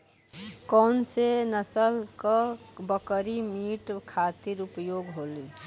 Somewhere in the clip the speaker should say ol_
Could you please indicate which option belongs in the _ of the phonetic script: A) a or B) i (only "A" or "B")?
B